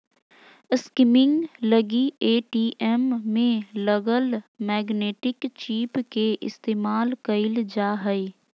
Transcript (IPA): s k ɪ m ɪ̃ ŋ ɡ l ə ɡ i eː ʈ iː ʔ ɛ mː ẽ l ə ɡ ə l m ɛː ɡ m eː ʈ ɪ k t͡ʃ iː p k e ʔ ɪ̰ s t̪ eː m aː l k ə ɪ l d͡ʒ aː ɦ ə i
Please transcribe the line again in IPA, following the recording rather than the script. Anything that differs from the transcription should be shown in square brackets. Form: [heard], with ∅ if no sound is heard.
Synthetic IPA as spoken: s k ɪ m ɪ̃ ŋ ɡ l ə ɡ i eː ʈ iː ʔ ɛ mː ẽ l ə ɡ ə l m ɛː ɡ [n] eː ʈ ɪ k t͡ʃ iː p k e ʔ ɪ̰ s t̪ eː m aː l k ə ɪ l d͡ʒ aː ɦ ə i